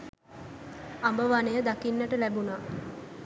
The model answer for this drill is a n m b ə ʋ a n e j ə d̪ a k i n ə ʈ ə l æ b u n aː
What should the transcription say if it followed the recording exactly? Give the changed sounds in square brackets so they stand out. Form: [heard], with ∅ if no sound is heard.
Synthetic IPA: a [∅] m b ə ʋ a n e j ə d̪ a k i [nː] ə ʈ ə l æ b u n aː